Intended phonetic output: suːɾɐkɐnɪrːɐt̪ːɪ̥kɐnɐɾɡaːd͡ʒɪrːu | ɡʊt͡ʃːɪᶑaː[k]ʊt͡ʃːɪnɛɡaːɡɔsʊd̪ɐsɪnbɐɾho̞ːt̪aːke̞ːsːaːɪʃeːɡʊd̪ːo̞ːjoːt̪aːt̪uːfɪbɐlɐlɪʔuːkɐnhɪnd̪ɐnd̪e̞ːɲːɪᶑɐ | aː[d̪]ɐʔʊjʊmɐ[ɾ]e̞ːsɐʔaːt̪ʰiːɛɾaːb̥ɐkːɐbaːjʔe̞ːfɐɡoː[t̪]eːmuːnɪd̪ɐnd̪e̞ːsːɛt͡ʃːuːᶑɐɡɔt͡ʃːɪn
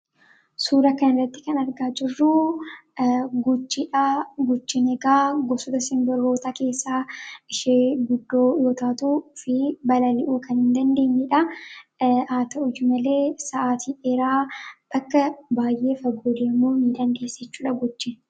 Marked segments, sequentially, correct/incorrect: incorrect, incorrect, incorrect, incorrect

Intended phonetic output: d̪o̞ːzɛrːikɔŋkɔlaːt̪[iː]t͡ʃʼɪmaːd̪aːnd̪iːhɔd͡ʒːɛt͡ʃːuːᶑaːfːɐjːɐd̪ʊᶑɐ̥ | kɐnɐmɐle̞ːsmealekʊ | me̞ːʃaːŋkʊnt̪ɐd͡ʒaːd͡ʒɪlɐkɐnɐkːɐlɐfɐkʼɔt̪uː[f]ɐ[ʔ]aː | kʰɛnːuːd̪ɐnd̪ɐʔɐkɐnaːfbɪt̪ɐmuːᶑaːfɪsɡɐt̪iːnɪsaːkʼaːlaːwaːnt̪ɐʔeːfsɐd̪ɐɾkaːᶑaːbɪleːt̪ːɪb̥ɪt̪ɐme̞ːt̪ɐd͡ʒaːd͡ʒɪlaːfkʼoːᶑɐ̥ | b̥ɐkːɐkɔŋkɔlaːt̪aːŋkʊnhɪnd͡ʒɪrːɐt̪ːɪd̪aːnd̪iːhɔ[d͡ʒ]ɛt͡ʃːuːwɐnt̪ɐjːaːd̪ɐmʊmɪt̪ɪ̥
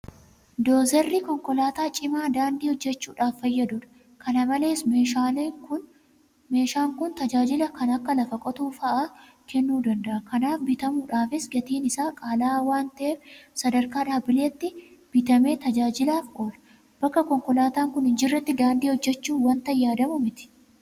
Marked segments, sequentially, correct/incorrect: incorrect, correct, correct, incorrect

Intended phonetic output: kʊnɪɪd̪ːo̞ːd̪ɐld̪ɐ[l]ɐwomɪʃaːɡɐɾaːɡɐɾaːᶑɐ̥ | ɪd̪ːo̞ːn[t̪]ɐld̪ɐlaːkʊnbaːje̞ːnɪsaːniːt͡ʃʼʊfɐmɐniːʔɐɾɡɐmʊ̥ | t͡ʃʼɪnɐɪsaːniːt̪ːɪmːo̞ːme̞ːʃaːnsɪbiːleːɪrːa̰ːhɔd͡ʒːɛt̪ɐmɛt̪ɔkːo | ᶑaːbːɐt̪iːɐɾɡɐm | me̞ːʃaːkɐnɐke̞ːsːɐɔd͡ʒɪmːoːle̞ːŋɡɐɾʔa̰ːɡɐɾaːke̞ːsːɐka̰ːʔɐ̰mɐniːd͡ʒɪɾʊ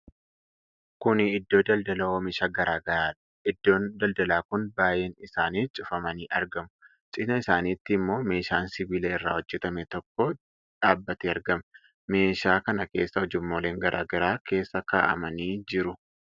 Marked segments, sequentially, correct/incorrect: correct, incorrect

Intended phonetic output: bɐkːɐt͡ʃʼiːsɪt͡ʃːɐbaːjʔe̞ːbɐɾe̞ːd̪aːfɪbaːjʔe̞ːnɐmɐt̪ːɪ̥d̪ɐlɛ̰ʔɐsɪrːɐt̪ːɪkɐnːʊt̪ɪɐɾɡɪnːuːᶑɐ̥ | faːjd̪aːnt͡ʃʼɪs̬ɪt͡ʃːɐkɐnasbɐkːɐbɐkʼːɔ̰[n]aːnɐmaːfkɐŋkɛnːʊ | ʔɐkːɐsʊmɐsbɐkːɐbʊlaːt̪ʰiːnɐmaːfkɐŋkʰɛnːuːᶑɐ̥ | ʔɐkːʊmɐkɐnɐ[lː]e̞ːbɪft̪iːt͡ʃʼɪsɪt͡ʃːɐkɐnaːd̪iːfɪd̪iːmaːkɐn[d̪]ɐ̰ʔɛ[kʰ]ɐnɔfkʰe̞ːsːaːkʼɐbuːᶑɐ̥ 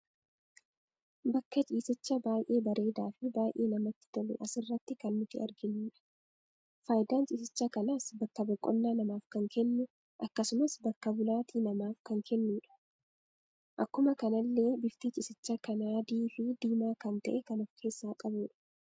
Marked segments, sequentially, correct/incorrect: incorrect, correct, incorrect, incorrect

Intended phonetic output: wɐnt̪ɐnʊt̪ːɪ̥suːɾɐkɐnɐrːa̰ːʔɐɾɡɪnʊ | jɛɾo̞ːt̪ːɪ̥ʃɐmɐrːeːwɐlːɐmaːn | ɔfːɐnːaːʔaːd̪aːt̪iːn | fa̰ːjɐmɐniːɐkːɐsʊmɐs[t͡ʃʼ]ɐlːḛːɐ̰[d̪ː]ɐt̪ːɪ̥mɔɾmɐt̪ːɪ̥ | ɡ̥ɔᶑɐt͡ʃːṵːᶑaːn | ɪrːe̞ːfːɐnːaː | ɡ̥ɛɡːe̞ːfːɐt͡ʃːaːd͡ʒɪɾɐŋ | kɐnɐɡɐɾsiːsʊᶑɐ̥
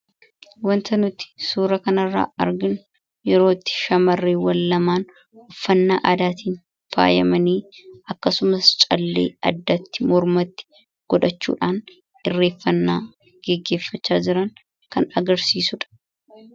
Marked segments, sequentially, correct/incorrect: correct, correct

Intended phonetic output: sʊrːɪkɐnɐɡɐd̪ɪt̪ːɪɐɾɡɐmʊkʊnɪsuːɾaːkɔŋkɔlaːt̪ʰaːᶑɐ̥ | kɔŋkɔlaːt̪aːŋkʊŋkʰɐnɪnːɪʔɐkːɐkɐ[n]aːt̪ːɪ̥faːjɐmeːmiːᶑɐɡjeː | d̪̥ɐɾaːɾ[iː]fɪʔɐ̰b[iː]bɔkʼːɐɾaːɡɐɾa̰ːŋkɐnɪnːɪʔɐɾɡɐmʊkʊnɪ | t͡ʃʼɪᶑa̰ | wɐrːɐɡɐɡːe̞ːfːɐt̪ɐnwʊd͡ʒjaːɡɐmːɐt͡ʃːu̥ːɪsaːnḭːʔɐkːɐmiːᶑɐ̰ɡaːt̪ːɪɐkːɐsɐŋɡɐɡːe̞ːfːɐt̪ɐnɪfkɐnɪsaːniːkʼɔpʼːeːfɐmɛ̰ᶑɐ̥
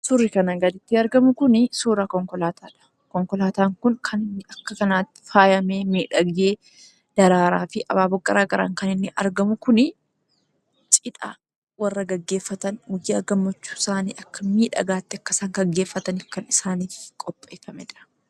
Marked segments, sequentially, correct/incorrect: correct, incorrect, incorrect

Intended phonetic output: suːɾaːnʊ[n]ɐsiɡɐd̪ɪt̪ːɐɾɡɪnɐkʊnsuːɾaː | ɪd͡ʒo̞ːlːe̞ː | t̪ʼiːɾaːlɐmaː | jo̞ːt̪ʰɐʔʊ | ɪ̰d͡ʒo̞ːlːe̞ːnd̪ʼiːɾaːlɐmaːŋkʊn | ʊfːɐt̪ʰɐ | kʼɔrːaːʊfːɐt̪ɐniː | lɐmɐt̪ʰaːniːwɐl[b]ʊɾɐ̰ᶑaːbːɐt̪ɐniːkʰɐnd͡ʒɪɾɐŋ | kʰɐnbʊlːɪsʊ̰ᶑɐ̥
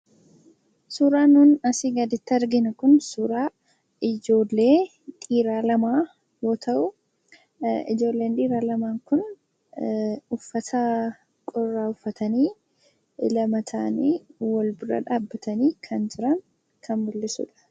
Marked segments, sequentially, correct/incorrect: correct, correct

